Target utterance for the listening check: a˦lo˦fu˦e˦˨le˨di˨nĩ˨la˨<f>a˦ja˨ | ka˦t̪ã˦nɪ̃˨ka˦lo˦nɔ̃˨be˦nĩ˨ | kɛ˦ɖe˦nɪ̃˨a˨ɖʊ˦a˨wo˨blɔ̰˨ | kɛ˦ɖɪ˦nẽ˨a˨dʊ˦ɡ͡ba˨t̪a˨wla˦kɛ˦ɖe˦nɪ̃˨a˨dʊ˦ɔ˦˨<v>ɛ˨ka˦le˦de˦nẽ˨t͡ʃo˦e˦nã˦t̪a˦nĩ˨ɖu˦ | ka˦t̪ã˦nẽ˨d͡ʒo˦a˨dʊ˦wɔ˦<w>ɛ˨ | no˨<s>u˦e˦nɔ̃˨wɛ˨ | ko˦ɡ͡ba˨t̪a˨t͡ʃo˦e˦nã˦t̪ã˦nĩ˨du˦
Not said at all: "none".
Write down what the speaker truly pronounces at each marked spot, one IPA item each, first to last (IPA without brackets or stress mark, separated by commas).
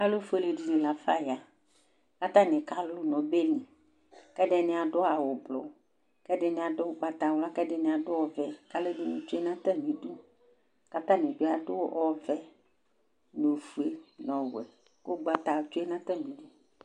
f, v, v, f